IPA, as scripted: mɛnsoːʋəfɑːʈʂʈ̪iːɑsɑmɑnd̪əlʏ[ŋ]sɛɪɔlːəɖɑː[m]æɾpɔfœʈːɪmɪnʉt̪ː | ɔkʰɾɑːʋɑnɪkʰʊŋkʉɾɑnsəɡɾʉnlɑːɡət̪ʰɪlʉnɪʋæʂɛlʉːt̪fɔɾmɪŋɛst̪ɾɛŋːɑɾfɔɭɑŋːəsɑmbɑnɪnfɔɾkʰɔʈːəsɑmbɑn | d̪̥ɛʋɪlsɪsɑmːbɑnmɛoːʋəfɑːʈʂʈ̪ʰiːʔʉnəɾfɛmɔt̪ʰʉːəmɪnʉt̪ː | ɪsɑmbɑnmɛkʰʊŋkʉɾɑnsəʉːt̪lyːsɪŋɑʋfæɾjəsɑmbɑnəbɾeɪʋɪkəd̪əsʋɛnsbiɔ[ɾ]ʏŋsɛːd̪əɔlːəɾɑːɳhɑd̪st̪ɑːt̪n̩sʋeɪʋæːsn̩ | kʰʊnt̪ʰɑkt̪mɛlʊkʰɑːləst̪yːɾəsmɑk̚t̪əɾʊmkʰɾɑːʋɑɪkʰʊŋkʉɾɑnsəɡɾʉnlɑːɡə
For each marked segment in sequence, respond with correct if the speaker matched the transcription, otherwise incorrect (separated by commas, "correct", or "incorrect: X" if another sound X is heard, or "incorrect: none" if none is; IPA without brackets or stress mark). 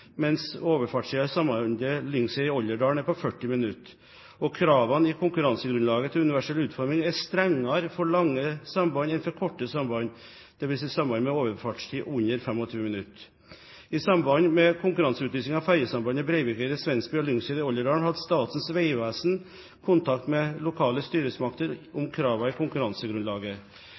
correct, incorrect: ɳ, incorrect: l